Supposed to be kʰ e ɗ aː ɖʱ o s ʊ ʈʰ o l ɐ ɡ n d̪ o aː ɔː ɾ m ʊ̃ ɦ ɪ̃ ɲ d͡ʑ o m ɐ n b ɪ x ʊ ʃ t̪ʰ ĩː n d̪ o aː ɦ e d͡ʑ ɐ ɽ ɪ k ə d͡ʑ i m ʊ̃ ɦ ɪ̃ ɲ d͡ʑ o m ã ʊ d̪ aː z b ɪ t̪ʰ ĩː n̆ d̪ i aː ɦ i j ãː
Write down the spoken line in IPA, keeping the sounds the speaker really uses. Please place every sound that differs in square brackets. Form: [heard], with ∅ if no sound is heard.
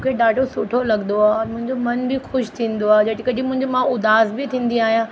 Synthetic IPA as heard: kʰ e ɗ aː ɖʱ o s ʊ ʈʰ o l ɐ ɡ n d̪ o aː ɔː ɾ m ʊ̃ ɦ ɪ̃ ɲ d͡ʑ o m ɐ n b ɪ x ʊ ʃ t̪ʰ ĩː n d̪ o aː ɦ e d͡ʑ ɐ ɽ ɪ k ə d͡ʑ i m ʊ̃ ɦ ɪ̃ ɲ d͡ʑ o m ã ʊ d̪ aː z b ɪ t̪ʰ ĩː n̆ d̪ i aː ɦ i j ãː